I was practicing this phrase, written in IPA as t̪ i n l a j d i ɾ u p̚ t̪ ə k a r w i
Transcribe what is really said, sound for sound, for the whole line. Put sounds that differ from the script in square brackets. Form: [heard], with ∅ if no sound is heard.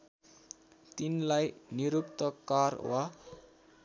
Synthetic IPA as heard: t̪ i n l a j [n] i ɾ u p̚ t̪ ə k a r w [a]